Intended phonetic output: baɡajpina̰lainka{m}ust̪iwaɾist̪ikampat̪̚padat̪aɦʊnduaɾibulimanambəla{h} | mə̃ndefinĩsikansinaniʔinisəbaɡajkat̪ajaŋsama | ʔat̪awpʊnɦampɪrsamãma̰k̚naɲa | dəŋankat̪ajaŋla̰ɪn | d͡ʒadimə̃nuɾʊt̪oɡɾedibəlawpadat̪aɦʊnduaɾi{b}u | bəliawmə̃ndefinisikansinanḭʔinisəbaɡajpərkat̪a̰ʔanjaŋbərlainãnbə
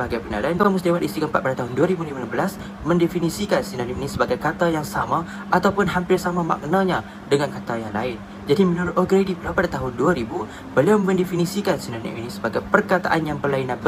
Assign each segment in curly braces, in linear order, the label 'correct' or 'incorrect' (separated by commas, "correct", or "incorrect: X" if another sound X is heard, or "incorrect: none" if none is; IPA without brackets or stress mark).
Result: correct, incorrect: s, correct